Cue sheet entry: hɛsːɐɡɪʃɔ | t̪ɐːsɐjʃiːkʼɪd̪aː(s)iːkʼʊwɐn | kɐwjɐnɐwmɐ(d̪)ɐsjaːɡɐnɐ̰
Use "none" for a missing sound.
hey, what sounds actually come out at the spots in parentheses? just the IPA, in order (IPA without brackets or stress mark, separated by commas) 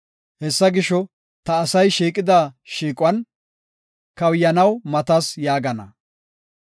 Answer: ʃ, t̪